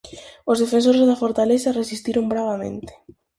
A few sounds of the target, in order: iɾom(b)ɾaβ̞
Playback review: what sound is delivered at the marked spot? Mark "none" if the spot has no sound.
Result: b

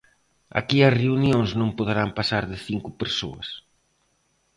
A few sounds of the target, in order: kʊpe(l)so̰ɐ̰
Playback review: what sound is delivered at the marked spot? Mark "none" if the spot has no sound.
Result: ɾ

